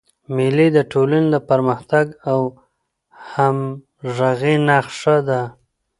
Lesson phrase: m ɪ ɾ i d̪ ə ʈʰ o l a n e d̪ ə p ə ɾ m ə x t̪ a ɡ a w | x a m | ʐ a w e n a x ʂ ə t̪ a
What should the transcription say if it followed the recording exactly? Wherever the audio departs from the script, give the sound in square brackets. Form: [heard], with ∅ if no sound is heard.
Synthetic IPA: m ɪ [l] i d̪ ə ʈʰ o l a n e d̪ ə p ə ɾ m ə x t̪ a ɡ a w | [h] a m | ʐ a [ɣ] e n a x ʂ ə [d̪] a